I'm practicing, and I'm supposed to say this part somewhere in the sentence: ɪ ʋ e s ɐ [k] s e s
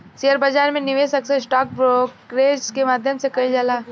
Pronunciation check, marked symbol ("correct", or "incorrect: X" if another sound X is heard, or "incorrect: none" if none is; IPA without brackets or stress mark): correct